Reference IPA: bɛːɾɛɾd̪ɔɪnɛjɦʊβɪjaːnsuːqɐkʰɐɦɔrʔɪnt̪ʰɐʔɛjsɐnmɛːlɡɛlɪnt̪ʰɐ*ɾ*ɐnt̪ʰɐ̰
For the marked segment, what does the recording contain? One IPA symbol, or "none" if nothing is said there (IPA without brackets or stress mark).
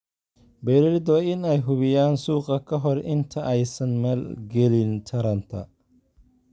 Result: ɾ